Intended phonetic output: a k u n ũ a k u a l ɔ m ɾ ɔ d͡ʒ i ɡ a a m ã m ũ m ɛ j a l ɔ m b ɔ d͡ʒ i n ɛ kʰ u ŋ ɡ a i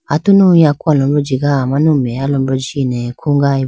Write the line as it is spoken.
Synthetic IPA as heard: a t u n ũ a k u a l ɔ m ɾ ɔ d͡ʒ i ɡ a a m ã n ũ m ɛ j a l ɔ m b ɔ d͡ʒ i n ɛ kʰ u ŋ ɡ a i